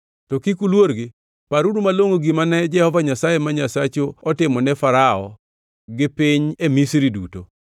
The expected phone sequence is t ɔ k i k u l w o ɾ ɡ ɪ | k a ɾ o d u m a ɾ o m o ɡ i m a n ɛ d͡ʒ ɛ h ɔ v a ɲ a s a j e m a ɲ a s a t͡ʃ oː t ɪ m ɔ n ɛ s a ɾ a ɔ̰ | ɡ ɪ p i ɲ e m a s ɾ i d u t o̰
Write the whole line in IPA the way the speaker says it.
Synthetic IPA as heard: t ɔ k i k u l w o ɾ ɡ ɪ | p a ɾ u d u m a l o ŋ o ɡ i m a n ɛ d͡ʒ ɛ h ɔ v a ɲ a s a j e m a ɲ a s a t͡ʃ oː t ɪ m ɔ n ɛ f a ɾ a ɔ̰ | ɡ ɪ p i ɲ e m i s ɾ i d u t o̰